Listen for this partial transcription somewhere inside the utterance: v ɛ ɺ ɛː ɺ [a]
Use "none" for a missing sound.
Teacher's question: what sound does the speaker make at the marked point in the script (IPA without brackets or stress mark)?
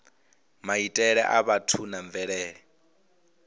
ɛ